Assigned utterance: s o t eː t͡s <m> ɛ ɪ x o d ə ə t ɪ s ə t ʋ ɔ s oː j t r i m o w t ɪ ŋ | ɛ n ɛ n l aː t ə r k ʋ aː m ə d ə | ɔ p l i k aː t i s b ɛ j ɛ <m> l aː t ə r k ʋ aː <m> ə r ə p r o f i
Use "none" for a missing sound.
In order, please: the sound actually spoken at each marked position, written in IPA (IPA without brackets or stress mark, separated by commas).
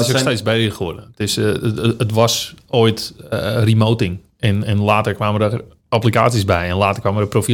b, n, m